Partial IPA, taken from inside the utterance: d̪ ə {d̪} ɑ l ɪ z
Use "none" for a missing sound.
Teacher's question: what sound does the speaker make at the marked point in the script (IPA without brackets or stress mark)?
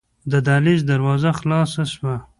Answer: d̪